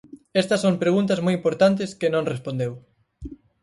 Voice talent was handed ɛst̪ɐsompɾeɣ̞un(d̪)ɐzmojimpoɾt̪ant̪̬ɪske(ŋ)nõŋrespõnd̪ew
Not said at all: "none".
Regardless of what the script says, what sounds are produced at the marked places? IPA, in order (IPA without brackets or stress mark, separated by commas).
t̪, none